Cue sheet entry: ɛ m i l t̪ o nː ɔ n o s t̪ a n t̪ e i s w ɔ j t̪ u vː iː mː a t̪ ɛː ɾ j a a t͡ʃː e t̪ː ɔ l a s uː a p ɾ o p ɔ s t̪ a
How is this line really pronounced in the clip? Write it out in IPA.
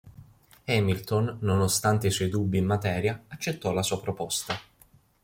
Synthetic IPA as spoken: ɛ m i l t̪ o nː o n o s t̪ a n t̪ e i s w ɔ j d̪ u bː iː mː a t̪ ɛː ɾ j a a t͡ʃː e t̪ː ɔ l a s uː a p ɾ o p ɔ s t̪ a